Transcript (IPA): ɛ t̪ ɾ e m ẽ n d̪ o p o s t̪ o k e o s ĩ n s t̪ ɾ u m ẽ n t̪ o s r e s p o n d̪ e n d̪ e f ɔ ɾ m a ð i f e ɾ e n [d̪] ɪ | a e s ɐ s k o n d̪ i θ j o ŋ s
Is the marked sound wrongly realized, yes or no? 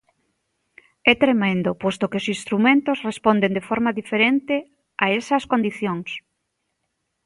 yes